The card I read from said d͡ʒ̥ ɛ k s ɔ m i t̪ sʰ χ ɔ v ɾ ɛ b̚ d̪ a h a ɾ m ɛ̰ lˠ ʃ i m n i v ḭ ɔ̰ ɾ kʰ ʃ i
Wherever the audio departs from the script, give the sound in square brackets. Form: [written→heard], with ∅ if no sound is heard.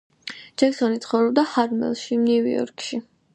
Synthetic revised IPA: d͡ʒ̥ ɛ k s ɔ [m→n] i t̪ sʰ χ ɔ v ɾ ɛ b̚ d̪ a h a ɾ m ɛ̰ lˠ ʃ i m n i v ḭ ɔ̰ ɾ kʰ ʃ i